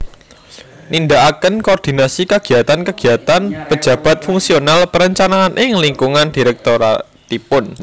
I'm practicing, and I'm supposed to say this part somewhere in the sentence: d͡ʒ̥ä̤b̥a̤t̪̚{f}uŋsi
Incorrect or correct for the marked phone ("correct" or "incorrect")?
correct